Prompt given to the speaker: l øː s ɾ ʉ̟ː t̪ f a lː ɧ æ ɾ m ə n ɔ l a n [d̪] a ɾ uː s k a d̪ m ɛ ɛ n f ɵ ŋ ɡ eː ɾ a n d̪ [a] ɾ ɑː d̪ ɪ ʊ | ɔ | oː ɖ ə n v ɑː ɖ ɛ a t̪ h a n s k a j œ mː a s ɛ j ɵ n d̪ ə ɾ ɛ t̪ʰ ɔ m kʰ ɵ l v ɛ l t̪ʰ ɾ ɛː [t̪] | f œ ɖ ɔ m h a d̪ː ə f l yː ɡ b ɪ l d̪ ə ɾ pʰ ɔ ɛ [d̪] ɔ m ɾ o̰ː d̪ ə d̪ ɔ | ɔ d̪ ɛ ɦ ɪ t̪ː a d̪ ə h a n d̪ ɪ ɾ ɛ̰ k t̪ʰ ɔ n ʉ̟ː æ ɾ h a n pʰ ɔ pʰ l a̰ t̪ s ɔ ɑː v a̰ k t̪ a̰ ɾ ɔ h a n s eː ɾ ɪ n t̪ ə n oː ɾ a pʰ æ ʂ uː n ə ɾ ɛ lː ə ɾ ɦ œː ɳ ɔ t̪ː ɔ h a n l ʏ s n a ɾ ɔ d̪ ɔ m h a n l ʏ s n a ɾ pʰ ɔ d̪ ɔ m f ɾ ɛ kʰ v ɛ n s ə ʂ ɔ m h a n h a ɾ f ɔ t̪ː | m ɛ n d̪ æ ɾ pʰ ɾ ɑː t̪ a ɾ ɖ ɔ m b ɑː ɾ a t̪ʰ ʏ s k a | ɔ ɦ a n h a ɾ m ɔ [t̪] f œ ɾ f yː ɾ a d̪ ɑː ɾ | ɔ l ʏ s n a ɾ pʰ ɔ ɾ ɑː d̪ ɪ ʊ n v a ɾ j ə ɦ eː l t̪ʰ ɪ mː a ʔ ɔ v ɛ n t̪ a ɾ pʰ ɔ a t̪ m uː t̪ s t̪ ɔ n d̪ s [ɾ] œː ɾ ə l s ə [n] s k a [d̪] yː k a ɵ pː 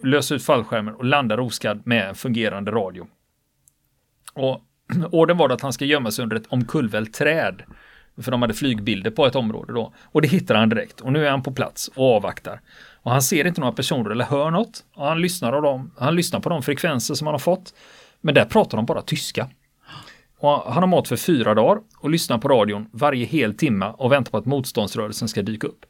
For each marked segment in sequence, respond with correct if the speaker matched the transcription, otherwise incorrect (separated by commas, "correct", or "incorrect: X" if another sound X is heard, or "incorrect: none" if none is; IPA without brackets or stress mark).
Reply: correct, incorrect: ə, incorrect: d̪, incorrect: t̪, correct, correct, correct, correct